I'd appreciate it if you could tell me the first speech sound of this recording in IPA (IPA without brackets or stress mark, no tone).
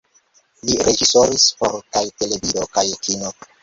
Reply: l